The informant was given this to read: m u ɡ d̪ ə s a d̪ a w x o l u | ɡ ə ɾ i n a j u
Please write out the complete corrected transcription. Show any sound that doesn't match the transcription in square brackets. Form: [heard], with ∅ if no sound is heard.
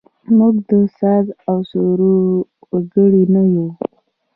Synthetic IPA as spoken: m u ɡ d̪ ə s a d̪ a w [s] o [ɾ] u | ɡ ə [ɽ] i n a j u